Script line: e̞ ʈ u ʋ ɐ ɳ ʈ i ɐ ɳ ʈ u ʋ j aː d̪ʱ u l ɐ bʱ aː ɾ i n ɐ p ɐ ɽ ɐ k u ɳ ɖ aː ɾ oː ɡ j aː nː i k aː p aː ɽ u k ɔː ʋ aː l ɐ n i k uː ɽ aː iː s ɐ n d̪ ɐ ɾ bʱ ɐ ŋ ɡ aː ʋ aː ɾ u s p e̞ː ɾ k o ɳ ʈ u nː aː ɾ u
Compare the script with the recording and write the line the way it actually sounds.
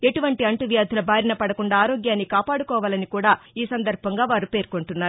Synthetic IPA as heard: e̞ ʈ u ʋ ɐ ɳ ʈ i ɐ ɳ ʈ u ʋ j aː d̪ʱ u l ɐ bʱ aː ɾ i n ɐ p ɐ ɽ ɐ k u ɳ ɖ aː ɾ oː ɡ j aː nː i k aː p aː ɽ u k ɔː ʋ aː l ɐ n i k uː ɽ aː iː s ɐ n d̪ ɐ ɾ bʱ ɐ ŋ ɡ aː ʋ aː ɾ u p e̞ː ɾ k o ɳ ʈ u nː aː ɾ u